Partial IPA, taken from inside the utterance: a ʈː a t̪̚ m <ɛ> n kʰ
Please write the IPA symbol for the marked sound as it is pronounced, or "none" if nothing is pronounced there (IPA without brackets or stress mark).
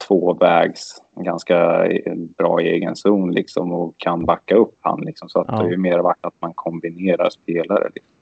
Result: a